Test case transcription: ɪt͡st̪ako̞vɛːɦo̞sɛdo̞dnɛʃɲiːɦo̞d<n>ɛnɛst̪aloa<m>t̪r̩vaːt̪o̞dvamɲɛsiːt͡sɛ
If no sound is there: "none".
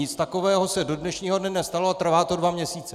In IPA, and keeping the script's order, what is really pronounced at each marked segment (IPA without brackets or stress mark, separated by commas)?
n, none